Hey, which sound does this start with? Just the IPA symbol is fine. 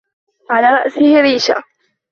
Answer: ʕ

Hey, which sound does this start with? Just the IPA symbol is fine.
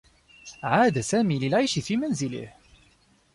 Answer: ʕ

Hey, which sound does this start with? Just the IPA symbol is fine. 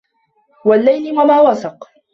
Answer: w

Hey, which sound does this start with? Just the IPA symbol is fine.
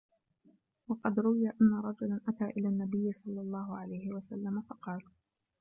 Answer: w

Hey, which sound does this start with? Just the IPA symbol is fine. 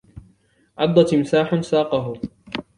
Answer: ʕ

